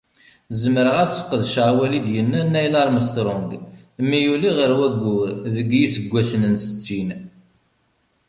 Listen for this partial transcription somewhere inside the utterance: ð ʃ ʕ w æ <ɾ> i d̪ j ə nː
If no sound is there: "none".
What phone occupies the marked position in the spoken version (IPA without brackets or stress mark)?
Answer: l